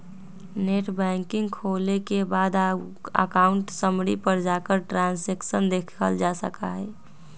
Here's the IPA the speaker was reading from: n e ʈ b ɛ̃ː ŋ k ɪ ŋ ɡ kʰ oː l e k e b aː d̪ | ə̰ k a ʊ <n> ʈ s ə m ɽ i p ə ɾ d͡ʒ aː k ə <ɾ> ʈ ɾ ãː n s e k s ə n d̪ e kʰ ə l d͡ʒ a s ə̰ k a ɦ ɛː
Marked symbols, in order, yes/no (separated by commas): no, yes